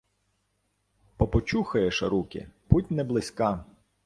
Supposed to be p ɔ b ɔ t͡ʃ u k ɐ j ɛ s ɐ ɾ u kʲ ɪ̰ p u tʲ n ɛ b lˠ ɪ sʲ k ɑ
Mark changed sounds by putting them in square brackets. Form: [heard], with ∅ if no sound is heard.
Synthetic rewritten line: p ɔ [p] ɔ t͡ʃ u [x] ɐ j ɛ [ʃ] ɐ ɾ u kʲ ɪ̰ p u tʲ n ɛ b lˠ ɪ sʲ k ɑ